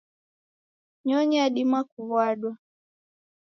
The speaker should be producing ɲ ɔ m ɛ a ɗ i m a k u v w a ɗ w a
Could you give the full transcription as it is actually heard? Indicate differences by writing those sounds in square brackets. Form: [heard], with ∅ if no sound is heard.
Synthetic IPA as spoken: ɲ ɔ [ɲ] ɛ a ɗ i m a k u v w a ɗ w a